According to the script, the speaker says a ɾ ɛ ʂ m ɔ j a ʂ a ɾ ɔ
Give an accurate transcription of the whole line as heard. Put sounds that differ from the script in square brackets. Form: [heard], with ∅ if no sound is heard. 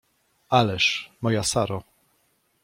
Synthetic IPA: a [l] ɛ ʂ m ɔ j a [s] a ɾ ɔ